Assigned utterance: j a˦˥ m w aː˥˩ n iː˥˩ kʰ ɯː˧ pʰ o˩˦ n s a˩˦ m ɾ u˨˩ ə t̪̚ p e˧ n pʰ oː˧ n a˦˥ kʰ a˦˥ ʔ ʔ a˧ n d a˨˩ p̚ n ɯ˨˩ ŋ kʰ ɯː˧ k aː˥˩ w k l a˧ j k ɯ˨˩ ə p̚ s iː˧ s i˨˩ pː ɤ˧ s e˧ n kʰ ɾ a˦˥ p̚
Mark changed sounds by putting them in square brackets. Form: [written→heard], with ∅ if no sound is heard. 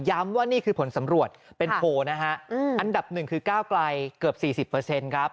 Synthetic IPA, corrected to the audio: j a˦˥ m w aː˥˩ n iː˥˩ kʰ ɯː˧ pʰ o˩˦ n s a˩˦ m ɾ u˨˩ ə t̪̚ p e˧ n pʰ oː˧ n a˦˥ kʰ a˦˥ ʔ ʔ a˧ n d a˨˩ p̚ n ɯ˨˩ ŋ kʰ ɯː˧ k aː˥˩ w k l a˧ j k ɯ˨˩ ə p̚ s [iː˧→iː˨˩] s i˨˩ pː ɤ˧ s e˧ n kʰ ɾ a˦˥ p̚